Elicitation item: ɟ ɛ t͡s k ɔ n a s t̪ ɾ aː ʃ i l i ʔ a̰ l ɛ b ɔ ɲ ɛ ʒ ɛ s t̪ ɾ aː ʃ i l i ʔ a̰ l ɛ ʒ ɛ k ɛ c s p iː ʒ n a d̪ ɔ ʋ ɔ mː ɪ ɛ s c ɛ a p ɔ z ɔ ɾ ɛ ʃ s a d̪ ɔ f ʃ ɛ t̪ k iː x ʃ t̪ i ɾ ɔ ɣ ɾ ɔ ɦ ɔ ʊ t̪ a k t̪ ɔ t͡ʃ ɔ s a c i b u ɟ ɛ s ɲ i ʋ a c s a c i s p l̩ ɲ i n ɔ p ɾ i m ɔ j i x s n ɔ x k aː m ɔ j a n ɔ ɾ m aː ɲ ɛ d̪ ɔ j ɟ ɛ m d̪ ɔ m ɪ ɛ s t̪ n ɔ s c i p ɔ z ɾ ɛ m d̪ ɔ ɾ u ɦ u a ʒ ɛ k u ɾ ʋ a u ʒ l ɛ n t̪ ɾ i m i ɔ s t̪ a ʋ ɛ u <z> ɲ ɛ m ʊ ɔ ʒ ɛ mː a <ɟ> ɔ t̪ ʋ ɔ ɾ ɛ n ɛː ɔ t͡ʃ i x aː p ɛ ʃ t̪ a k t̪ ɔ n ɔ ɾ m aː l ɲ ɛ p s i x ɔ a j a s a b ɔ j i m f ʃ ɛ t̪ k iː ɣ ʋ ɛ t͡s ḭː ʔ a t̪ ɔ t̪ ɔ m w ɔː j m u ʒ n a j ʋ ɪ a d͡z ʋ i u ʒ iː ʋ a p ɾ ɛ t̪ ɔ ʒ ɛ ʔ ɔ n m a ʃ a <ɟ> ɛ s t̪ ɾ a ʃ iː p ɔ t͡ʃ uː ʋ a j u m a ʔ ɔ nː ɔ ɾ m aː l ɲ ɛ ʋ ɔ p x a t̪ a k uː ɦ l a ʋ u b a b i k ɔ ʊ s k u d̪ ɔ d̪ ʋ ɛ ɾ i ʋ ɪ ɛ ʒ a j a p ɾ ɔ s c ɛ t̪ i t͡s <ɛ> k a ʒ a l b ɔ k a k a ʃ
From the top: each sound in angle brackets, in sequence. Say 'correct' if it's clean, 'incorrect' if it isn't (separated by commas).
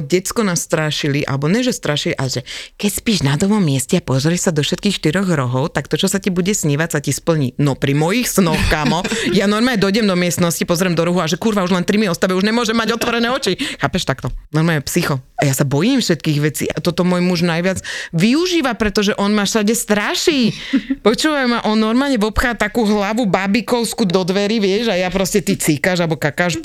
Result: incorrect, correct, correct, incorrect